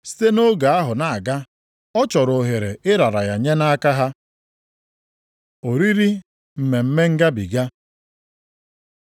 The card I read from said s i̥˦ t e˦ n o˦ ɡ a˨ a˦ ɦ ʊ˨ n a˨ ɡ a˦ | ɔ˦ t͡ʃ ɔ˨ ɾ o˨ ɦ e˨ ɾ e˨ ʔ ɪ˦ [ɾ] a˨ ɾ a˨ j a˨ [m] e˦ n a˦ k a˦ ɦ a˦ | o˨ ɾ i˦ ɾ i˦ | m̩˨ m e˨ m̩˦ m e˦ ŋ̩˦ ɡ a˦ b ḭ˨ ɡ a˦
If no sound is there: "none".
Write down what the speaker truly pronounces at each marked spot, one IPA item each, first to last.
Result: ɾ, ɲ

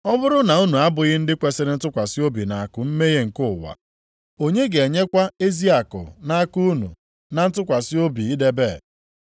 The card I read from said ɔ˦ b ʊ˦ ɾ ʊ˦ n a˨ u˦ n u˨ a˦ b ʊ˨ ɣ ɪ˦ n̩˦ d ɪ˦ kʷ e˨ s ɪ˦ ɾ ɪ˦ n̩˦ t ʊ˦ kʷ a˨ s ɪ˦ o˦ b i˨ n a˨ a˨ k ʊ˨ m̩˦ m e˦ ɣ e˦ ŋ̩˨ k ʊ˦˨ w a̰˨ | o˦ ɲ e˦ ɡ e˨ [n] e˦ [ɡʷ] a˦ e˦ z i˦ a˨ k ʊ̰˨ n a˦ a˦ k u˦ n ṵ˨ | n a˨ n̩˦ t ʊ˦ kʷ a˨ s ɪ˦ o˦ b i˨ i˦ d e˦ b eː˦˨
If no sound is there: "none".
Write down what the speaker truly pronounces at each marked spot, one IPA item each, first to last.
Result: ɲ, kʷ

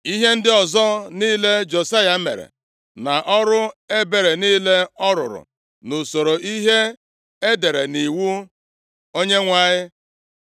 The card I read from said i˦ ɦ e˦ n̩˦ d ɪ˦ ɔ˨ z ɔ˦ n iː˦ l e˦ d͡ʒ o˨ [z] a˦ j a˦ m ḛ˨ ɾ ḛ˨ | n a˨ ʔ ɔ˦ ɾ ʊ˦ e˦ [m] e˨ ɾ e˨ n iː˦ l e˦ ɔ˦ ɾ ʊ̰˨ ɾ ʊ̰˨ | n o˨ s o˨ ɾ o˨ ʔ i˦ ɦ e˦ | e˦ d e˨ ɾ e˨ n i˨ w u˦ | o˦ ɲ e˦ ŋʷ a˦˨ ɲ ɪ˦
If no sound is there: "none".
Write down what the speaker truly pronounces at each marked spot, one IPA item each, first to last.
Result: s, b

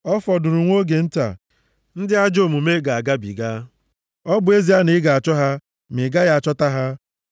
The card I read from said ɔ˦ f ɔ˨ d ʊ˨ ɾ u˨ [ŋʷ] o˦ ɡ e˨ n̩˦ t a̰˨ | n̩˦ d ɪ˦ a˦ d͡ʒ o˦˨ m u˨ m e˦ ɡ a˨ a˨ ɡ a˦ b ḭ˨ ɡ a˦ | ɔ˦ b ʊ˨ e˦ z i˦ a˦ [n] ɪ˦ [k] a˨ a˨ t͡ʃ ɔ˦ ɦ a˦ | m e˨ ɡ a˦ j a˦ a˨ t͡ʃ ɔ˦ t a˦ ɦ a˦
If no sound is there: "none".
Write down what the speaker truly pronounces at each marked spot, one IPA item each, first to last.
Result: ŋʷ, n, ɡ

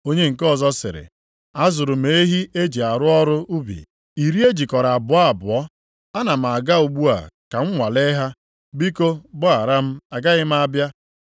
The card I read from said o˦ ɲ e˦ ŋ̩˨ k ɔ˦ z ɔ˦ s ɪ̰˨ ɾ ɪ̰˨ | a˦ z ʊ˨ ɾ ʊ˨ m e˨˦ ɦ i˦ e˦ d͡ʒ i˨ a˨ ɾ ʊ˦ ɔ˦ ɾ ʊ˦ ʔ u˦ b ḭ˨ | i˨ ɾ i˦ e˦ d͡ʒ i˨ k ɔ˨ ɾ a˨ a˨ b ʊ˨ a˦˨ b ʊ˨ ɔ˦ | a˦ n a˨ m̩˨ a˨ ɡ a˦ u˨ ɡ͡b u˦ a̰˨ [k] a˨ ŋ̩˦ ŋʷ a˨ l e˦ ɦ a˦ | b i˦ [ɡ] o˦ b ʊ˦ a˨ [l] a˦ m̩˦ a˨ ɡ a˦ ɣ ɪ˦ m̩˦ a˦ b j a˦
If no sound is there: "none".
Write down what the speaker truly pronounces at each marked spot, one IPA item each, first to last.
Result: k, k, ɾ

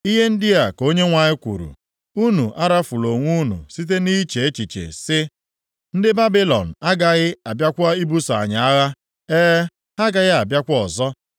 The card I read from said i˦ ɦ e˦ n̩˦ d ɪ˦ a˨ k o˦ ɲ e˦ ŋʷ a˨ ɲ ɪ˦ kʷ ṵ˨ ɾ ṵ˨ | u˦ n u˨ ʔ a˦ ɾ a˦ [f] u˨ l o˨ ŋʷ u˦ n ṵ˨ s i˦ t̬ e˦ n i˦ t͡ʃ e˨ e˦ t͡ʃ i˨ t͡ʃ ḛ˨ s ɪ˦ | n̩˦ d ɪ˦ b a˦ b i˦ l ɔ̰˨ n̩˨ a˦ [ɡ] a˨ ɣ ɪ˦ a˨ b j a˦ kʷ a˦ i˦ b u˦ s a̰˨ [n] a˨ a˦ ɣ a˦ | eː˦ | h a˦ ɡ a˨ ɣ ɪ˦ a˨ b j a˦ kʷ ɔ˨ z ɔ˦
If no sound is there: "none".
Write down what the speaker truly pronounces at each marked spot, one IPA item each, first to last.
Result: f, ɡ, ɲ

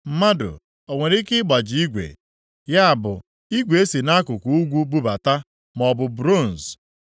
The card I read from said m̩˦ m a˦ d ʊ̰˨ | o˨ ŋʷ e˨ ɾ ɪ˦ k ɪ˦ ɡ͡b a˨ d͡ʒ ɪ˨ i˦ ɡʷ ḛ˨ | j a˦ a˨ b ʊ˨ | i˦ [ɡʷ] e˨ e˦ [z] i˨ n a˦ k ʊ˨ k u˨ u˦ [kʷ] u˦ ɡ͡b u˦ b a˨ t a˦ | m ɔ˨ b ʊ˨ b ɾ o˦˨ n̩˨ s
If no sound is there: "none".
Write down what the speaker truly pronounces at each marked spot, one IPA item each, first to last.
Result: ɡʷ, s, ɡʷ

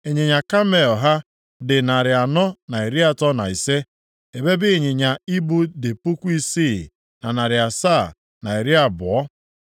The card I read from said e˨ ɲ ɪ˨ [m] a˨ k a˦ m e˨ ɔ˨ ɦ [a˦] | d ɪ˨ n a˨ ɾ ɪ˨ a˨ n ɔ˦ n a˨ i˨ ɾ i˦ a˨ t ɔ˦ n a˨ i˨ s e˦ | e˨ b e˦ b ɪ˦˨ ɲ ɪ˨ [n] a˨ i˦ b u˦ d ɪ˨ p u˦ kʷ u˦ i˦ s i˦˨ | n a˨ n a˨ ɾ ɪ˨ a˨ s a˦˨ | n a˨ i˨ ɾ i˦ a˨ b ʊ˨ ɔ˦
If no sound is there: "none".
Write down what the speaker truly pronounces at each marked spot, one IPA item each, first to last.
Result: ɲ, a˦, ɲ

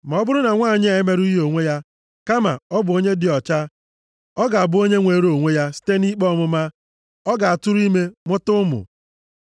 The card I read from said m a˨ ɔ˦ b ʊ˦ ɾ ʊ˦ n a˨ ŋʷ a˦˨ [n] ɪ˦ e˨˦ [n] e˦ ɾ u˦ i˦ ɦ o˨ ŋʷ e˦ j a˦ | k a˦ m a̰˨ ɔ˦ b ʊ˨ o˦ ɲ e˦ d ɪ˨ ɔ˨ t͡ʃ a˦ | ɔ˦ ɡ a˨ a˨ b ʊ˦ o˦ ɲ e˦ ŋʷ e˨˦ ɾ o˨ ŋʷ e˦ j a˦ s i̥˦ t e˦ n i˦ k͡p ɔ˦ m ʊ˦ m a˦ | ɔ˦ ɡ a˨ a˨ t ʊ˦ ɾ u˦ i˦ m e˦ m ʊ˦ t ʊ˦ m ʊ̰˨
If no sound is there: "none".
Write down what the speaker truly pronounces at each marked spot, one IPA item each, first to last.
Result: ɲ, m

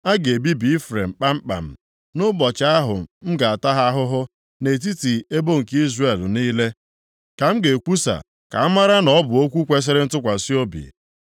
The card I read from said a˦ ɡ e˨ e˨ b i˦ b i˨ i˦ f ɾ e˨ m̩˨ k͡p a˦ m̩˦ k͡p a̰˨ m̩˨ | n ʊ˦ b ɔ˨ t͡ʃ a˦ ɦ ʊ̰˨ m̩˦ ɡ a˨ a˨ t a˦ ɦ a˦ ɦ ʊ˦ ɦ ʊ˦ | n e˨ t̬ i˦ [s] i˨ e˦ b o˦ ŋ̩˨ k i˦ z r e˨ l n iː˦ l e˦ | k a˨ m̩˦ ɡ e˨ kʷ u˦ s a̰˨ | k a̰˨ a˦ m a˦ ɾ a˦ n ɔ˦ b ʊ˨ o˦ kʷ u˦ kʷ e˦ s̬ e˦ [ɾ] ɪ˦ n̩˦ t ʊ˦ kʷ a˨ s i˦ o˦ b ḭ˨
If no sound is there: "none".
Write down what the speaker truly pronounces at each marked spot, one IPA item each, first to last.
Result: t, ɾ

